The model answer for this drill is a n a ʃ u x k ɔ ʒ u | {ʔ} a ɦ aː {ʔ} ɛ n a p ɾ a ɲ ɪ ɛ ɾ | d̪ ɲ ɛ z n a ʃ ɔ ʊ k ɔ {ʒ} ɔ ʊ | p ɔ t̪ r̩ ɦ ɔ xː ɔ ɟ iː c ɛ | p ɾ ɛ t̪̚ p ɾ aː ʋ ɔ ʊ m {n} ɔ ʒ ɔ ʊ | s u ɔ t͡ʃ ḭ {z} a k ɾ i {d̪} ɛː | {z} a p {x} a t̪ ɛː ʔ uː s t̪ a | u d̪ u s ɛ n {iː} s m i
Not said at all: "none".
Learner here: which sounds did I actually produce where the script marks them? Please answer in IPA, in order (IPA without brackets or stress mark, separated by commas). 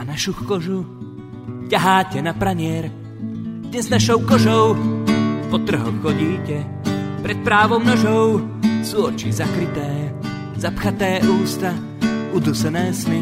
c, c, ʒ, n, z, t̪, z, x, ɛː